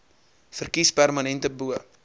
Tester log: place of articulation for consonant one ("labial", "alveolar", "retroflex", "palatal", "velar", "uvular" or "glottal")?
labial